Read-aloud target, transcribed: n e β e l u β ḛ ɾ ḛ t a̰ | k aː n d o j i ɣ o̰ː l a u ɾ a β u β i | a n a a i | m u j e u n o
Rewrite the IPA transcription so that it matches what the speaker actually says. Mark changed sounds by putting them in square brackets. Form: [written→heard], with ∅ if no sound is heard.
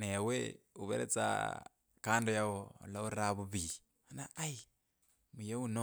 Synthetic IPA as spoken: n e [β→w] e [l→∅] u β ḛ ɾ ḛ [t→t͡s] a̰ | k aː n d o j [i→a] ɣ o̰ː l a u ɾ a β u β i | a n a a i | m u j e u n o

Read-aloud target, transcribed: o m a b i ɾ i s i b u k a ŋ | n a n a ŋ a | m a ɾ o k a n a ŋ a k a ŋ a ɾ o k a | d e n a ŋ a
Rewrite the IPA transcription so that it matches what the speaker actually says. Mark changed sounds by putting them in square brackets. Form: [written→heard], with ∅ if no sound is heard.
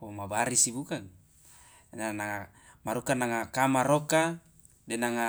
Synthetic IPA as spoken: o m a b [i→a] ɾ i s i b u k a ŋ | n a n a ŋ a | m a ɾ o k a n a ŋ a k a [ŋ→m] a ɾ o k a | d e n a ŋ a

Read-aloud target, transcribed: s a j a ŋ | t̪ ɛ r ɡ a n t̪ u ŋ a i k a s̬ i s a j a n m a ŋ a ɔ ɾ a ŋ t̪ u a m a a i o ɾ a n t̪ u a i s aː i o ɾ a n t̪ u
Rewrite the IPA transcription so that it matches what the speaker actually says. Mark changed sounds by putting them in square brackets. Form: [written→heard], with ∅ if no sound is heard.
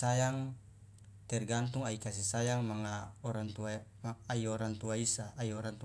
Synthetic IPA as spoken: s a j a ŋ | t̪ ɛ r ɡ a n t̪ u ŋ a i k a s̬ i s a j a [n→ŋ] m a ŋ a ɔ ɾ a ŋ t̪ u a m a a i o ɾ a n t̪ u a i s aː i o ɾ a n t̪ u

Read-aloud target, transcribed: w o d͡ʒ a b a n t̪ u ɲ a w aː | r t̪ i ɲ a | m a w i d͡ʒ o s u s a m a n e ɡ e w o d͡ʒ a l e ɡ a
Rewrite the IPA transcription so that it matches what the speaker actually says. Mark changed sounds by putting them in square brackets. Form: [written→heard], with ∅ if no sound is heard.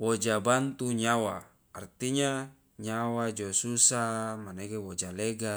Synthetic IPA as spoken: w o d͡ʒ a b a n t̪ u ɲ a w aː | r t̪ i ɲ a | [m→ɲ] a w [i→a] d͡ʒ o s u s a m a n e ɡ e w o d͡ʒ a l e ɡ a

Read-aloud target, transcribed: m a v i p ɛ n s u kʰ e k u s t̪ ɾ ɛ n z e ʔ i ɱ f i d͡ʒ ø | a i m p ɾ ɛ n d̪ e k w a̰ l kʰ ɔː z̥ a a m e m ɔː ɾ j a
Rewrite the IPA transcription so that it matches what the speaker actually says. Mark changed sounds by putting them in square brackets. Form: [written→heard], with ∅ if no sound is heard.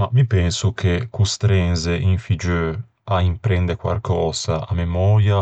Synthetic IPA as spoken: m a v i p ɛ n s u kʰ e k u s t̪ ɾ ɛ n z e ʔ i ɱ f i d͡ʒ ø | a i m p ɾ ɛ n d̪ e k w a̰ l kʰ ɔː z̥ a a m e m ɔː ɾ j a

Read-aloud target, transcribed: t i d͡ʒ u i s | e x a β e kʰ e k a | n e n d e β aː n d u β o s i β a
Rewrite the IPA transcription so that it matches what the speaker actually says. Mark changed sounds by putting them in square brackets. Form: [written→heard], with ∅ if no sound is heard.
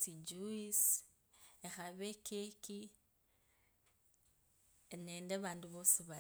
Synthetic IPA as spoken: t i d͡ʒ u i s | e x a β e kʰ e k [a→i] | n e n d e β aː n d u β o s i β a

